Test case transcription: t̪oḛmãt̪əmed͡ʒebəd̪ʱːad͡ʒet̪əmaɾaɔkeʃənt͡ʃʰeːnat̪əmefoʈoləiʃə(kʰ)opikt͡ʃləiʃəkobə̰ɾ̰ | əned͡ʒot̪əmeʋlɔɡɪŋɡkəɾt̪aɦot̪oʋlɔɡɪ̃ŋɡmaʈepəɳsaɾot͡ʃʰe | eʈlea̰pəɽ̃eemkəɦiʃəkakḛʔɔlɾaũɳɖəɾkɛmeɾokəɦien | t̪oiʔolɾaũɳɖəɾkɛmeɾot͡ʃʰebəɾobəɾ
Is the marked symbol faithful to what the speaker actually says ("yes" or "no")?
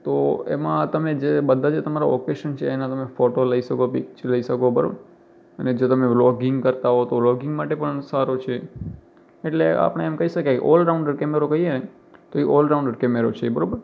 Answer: no